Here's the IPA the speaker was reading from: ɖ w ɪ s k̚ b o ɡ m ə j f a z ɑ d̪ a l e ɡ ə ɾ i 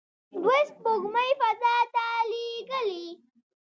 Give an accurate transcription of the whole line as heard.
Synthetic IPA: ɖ w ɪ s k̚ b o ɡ m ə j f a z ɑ t̪ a l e ɡ ə l i